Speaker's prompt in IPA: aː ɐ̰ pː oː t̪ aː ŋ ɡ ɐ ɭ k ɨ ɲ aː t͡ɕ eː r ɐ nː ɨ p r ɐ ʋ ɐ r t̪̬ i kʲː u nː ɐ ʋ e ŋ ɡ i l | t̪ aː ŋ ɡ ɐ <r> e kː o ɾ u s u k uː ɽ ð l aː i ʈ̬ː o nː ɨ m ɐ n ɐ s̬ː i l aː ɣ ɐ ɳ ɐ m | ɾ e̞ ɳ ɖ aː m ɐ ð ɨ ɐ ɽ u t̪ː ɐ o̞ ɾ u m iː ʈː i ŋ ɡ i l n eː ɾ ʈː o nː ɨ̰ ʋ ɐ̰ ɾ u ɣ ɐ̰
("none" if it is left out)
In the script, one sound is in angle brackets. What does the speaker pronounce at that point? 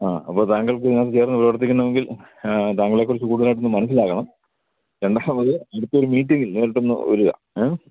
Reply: ɭ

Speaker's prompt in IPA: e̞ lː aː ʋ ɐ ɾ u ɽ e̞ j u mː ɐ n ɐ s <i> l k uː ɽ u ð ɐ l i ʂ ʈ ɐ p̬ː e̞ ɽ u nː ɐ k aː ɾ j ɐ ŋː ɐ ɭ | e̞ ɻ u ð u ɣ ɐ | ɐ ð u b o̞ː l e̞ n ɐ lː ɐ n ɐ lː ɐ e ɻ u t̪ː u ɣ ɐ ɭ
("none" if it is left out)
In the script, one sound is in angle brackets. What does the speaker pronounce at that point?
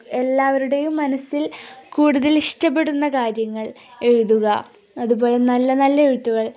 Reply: i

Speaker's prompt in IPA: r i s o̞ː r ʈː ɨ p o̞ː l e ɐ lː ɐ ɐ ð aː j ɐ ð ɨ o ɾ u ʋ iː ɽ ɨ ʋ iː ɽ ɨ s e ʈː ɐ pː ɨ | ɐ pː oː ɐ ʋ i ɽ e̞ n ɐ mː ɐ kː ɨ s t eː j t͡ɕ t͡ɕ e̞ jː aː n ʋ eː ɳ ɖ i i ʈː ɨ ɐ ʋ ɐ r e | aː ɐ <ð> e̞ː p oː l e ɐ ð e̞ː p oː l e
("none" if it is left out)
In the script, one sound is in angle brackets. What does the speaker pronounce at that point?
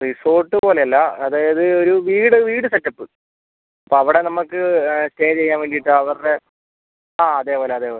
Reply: ð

